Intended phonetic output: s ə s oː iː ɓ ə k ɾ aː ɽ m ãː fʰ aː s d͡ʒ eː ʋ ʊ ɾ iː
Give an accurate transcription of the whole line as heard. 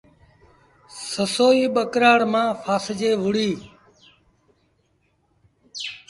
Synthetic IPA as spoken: s ə s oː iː ɓ ə k ɾ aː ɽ m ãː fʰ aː s d͡ʒ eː ʋ ʊ ɽ iː